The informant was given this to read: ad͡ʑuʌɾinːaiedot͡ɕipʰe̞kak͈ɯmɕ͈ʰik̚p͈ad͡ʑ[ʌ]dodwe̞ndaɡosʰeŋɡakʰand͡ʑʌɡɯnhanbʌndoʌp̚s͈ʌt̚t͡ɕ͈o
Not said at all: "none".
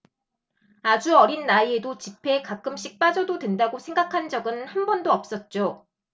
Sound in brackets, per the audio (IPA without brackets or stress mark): ʌ